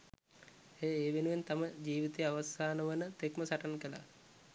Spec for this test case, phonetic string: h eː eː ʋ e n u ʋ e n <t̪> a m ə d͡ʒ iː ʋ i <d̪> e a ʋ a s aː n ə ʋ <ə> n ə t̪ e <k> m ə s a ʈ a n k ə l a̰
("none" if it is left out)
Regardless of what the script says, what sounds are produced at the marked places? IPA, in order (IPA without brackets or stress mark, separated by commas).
t̪, t̪, ə, k